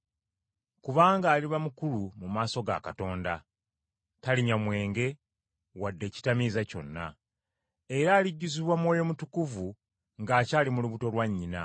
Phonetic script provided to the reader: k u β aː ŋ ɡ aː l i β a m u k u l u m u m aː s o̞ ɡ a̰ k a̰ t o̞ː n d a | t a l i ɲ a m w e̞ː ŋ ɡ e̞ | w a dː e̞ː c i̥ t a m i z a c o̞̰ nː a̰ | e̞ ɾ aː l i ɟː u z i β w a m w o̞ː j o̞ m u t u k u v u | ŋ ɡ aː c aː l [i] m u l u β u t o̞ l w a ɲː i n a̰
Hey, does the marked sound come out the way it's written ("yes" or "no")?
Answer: yes